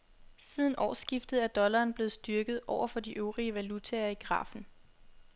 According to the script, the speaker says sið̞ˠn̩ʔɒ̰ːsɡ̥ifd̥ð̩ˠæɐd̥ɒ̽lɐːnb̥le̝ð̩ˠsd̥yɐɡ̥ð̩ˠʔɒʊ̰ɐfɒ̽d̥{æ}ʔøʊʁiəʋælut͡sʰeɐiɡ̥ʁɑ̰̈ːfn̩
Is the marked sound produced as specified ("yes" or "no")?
no